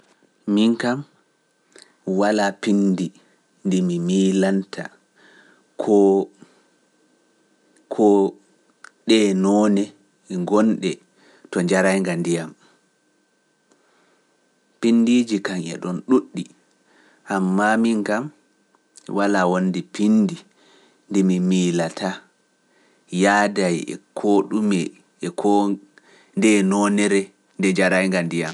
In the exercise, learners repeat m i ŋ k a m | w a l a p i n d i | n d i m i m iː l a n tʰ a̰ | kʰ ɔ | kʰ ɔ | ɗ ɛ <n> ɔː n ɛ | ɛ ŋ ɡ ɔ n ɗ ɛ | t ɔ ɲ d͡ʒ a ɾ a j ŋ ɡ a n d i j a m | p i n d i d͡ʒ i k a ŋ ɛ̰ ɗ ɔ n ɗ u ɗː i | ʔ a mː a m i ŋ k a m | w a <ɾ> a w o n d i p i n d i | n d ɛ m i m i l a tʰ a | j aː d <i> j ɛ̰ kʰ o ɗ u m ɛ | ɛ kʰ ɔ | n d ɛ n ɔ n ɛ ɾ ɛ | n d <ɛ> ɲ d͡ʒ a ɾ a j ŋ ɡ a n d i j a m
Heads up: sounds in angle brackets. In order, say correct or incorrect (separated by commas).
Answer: correct, incorrect, incorrect, correct